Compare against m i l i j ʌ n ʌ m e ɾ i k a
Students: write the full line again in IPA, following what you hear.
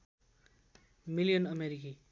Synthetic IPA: m i l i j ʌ n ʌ m e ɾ i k i